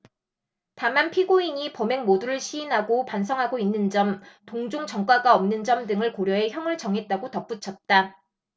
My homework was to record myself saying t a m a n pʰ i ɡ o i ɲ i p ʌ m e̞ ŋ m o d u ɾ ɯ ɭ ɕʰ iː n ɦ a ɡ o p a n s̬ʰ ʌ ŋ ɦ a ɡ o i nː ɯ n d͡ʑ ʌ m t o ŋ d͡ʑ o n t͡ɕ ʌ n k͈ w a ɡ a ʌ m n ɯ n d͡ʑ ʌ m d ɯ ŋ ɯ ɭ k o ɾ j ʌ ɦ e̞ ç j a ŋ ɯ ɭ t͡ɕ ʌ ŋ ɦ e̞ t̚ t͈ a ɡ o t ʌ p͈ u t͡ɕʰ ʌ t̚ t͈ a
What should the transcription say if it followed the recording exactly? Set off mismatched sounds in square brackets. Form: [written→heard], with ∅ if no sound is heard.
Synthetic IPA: t a m a n pʰ i ɡ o i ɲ i p ʌ m e̞ ŋ m o d u ɾ ɯ ɭ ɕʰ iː n ɦ a ɡ o p a n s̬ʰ ʌ ŋ ɦ a ɡ o i nː ɯ n d͡ʑ ʌ m t o ŋ d͡ʑ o [n→ŋ] t͡ɕ ʌ [n→ŋ] k͈ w a ɡ a ʌ m n ɯ n d͡ʑ ʌ m d ɯ ŋ ɯ ɭ k o ɾ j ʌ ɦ e̞ ç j [a→ʌ] ŋ ɯ ɭ t͡ɕ ʌ ŋ ɦ e̞ t̚ t͈ a ɡ o t ʌ p͈ u t͡ɕʰ ʌ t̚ t͈ a